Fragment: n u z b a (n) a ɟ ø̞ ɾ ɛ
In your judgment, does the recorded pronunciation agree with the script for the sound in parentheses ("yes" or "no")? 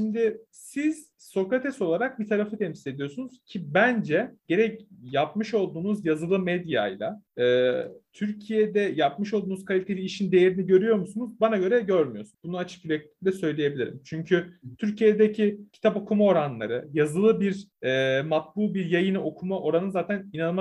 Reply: yes